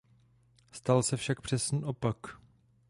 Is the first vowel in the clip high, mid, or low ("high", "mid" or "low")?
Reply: low